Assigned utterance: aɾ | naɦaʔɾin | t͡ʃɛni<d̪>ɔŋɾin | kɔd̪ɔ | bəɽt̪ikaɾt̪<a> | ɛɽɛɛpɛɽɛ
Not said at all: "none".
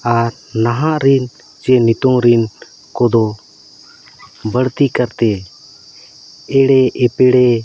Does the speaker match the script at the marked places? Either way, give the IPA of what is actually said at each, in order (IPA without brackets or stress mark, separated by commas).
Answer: t̪, ɛ